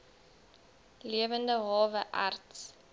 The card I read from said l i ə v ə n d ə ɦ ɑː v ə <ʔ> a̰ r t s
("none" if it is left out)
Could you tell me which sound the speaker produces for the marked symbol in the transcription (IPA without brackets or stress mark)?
ʔ